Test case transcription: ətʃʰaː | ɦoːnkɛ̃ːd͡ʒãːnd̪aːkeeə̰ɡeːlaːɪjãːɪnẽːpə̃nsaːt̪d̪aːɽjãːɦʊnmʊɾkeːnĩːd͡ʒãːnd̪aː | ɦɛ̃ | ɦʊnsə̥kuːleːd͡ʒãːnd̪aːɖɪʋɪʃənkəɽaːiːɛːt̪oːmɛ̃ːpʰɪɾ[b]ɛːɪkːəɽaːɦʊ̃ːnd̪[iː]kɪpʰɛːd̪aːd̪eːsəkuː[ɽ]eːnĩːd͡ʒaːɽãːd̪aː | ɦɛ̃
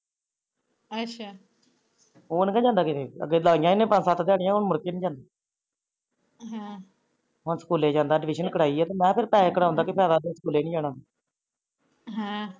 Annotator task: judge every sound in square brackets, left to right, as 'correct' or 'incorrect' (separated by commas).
incorrect, incorrect, incorrect